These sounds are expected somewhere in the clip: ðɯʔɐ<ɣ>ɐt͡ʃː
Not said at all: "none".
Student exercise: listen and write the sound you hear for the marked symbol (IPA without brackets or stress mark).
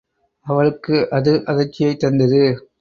ð